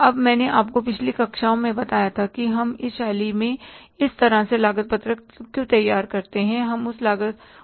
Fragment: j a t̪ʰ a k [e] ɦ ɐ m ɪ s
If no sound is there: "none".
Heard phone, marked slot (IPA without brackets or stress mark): i